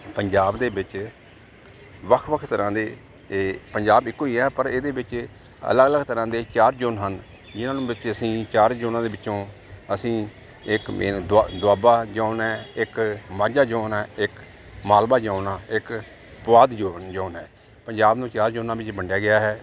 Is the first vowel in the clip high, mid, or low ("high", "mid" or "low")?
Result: mid